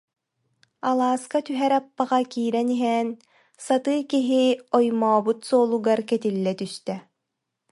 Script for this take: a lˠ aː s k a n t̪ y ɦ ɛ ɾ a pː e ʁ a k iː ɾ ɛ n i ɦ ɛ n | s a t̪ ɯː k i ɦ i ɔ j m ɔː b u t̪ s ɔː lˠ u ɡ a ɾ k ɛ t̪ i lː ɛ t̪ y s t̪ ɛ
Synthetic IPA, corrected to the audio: a lˠ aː s k a t̪ y ɦ ɛ ɾ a pː a ʁ a k iː ɾ ɛ n i ɦ ɛ n | s a t̪ ɯː k i ɦ i ɔ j m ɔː b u t̪ s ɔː lˠ u ɡ a ɾ k ɛ t̪ i lː ɛ t̪ y s t̪ ɛ